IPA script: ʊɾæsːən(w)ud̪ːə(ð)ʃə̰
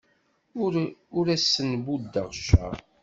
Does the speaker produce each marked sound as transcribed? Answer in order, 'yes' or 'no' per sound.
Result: no, no

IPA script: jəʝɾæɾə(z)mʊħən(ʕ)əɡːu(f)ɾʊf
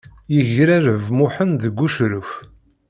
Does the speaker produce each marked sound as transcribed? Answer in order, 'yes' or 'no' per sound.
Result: no, no, no

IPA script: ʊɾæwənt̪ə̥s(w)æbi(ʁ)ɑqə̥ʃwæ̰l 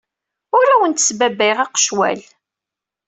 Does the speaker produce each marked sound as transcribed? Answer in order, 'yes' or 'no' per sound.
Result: no, yes

